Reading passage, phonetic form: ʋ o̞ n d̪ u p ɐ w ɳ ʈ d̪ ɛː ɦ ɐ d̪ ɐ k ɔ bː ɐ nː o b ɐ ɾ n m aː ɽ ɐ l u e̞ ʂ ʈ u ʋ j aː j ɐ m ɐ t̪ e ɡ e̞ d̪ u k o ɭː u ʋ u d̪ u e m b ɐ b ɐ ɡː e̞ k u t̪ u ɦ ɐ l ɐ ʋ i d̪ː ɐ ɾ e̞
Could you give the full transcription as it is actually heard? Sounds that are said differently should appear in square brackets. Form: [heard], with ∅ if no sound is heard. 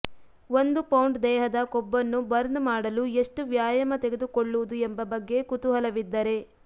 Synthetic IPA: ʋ o̞ n d̪ u p ɐ w ɳ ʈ d̪ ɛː ɦ ɐ d̪ ɐ k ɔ bː ɐ nː [u] b ɐ ɾ n m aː ɽ ɐ l u e̞ ʂ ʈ u ʋ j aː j ɐ m ɐ t̪ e ɡ e̞ d̪ u k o ɭː u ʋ u d̪ u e m b ɐ b ɐ ɡː e̞ k u t̪ u ɦ ɐ l ɐ ʋ i d̪ː ɐ ɾ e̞